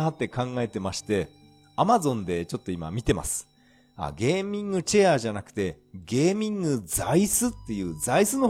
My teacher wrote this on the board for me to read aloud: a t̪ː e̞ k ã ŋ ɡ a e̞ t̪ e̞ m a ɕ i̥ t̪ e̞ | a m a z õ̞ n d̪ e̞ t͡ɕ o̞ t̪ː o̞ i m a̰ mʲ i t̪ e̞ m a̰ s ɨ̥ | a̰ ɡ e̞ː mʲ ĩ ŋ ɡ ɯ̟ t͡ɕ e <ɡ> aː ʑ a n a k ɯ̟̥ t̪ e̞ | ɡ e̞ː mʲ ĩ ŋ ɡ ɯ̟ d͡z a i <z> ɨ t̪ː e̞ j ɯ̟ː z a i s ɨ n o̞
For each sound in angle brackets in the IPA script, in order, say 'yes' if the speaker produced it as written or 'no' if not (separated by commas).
no, no